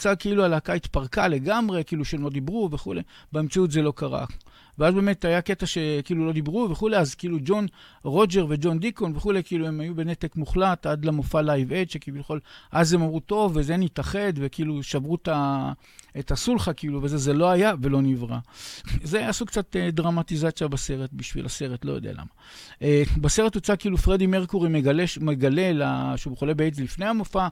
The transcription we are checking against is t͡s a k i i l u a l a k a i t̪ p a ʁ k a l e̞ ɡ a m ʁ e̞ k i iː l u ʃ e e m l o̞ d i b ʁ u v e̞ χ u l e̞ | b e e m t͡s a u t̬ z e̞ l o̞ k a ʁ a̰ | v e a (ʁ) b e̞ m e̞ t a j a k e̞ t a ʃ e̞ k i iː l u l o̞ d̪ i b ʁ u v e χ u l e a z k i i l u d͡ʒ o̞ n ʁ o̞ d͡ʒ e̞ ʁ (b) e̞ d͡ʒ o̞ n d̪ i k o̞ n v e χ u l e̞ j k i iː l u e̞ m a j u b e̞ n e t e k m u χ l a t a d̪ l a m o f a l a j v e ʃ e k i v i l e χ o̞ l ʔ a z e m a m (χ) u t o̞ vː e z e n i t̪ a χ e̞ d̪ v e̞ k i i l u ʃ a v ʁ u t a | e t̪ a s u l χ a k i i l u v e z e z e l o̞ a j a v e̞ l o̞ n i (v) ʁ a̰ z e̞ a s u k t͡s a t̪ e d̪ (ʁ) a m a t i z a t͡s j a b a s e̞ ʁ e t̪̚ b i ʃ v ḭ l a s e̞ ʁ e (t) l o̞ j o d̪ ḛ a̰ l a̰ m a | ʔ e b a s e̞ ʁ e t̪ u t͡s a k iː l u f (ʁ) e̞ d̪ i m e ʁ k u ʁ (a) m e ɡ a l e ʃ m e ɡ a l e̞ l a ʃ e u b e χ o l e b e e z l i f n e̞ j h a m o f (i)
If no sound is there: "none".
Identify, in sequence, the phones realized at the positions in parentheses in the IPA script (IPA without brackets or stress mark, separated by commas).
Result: z, v, ʁ, v, ʁ, t, ʁ, i, a